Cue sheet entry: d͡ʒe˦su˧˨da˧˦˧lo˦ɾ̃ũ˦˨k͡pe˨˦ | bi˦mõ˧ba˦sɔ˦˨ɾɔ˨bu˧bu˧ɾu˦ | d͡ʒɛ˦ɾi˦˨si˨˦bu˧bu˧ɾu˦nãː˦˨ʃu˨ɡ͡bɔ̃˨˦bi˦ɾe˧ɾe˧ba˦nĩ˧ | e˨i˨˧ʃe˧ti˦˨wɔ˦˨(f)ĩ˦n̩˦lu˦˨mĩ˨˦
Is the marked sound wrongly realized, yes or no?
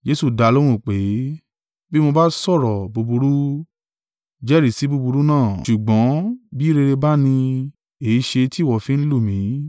no